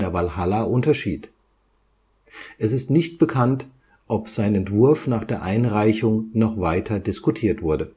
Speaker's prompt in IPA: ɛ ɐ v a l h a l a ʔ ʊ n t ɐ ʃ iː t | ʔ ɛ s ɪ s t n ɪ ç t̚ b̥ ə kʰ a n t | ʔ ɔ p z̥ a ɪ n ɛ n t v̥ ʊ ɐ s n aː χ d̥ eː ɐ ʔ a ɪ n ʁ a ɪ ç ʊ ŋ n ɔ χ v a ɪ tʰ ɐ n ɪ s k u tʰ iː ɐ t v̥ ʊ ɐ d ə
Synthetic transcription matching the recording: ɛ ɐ v a l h a l a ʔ ʊ n t ɐ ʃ iː t | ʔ ɛ s ɪ s t n ɪ ç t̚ b̥ ə kʰ a n t | ʔ ɔ p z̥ a ɪ n ɛ n t v̥ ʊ ɐ f n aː χ d̥ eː ɐ ʔ a ɪ n ʁ a ɪ ç ʊ ŋ n ɔ χ v a ɪ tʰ ɐ d ɪ s k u tʰ iː ɐ t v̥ ʊ ɐ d ə